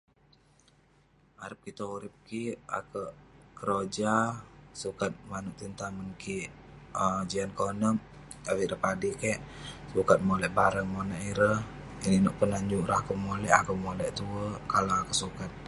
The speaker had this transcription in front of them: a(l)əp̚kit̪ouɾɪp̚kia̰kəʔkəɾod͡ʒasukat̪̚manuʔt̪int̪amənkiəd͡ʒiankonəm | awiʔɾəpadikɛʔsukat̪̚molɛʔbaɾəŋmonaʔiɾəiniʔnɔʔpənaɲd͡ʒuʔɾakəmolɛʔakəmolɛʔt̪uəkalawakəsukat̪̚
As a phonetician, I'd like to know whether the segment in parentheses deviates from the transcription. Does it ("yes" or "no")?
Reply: yes